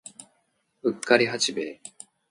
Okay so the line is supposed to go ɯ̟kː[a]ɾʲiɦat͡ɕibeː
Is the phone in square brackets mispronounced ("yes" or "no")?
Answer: no